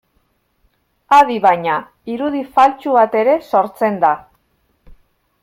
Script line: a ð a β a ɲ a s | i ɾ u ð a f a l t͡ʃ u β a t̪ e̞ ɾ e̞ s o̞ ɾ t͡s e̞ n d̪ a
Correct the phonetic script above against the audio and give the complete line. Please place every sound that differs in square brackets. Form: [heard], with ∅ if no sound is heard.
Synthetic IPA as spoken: a ð [i] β a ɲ a [∅] | i ɾ u ð [i] f a l t͡ʃ u β a t̪ e̞ ɾ e̞ s o̞ ɾ t͡s e̞ n d̪ a

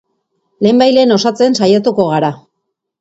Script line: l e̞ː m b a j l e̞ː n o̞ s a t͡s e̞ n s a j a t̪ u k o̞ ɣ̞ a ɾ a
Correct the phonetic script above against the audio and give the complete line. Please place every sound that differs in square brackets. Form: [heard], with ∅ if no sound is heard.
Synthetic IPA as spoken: l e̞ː m b a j l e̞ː n o̞ s a t͡s e̞ n s a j a t̪ u k o̞ ɣ̞ a ɾ a

